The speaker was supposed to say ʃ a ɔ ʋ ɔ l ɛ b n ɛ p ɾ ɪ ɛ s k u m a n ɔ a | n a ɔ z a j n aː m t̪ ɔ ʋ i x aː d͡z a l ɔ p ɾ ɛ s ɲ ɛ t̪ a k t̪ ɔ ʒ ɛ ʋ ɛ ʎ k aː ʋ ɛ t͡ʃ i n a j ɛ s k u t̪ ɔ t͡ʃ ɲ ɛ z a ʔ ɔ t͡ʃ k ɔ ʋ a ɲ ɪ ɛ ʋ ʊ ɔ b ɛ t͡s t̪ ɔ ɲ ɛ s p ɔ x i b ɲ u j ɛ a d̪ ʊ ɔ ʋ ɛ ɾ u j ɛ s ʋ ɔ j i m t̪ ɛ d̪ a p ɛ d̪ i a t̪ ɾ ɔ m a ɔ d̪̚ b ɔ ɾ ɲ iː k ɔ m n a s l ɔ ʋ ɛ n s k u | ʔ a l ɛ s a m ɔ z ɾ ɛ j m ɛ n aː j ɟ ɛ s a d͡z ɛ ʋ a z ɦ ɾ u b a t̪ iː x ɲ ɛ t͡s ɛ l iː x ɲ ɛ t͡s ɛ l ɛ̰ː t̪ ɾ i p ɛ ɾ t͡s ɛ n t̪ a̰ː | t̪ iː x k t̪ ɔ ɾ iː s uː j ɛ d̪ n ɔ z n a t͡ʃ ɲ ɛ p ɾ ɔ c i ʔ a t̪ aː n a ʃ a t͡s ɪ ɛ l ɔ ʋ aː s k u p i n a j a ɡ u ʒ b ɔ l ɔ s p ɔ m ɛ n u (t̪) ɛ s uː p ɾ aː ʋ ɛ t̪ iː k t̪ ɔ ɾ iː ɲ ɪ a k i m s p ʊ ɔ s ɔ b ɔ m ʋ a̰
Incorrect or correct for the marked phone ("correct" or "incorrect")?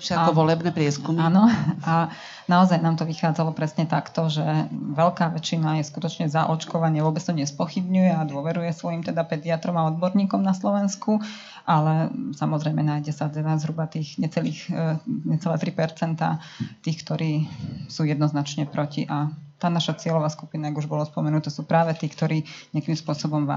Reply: correct